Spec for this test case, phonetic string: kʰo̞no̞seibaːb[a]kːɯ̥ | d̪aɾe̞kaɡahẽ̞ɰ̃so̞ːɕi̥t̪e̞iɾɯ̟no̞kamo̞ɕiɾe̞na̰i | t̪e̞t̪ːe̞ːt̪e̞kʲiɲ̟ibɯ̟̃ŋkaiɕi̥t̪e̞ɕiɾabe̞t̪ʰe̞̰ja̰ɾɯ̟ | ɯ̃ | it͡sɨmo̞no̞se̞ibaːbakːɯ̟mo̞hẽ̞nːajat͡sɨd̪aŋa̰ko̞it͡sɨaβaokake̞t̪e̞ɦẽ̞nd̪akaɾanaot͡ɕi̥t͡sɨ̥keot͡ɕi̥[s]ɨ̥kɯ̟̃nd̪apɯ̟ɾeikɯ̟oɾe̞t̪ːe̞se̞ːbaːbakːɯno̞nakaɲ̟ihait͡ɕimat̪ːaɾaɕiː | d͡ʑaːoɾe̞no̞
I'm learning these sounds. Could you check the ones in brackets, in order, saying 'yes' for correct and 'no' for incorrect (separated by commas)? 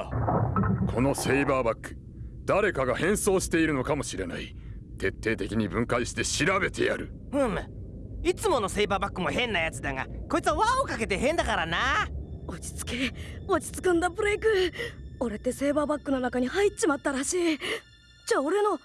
yes, no